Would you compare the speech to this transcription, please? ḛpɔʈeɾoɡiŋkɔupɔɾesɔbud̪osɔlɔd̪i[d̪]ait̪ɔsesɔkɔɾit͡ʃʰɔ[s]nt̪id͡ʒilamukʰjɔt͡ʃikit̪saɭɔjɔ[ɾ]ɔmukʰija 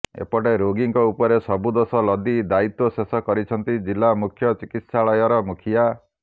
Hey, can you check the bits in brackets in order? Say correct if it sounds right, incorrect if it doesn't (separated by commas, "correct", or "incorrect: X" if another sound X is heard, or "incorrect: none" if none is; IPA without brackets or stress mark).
correct, incorrect: none, correct